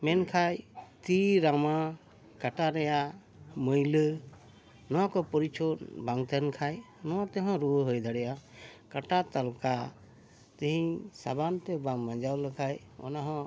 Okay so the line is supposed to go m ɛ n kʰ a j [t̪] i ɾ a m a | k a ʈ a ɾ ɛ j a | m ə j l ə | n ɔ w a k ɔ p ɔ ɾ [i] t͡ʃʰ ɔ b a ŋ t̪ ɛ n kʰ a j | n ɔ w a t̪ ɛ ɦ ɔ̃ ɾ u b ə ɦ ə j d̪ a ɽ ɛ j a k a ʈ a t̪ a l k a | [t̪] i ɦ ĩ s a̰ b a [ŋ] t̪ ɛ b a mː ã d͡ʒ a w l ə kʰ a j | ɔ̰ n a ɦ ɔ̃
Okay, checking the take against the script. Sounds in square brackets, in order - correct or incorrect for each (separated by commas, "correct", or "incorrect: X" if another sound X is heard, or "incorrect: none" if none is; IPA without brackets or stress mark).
correct, correct, correct, incorrect: n